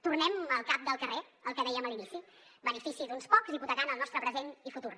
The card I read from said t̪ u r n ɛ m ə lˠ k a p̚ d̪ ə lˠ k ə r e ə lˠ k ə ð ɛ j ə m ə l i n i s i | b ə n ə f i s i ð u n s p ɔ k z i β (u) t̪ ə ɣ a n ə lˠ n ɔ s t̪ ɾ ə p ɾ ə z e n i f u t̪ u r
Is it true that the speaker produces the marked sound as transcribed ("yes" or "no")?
yes